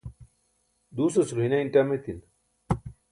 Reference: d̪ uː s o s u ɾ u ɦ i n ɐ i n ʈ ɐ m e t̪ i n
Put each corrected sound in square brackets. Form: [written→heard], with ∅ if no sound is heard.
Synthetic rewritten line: d̪ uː s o s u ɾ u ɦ i n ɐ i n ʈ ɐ m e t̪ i n